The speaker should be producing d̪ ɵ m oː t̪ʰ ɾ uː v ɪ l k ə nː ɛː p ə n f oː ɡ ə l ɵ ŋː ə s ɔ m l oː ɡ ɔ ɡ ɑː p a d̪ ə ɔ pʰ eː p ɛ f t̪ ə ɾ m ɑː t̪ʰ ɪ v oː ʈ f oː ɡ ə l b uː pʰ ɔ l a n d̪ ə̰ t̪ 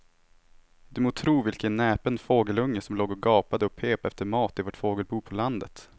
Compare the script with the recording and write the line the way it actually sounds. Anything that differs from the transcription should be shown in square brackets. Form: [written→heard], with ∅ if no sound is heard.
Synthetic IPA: d̪ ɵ m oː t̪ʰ ɾ uː v ɪ l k ə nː ɛː p ə n f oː ɡ ə l ɵ ŋː ə s ɔ m l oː ɡ ɔ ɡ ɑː p a d̪ ə ɔ pʰ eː p ɛ f t̪ ə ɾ m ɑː [t̪ʰ→t̪] ɪ v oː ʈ f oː ɡ ə l b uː pʰ ɔ l a n d̪ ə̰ t̪